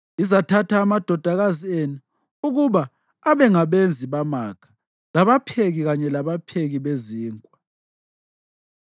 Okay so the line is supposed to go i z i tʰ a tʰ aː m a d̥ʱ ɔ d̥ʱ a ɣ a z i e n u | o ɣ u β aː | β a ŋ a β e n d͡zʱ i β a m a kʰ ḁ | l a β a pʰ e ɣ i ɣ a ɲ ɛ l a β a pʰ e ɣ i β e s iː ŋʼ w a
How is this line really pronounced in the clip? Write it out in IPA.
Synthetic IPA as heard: i z a tʰ a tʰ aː m a d̥ʱ ɔ d̥ʱ a ɣ a z i e n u | u ɣ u β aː | β ɛ ŋ a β e n d͡zʱ i β a m a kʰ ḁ | l a β a pʰ e ɣ i ɣ a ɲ ɛ l a β a pʰ e ɣ i β e z iː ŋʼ w a